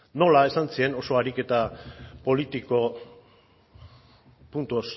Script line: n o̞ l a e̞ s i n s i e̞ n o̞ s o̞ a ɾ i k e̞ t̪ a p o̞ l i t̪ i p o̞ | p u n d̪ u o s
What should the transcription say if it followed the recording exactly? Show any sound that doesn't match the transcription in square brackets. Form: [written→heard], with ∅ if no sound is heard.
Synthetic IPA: n o̞ l a e̞ s [i→a] n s i e̞ n o̞ s o̞ a ɾ i k e̞ t̪ a p o̞ l i t̪ i [p→k] o̞ | p u n [d̪→t̪] u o s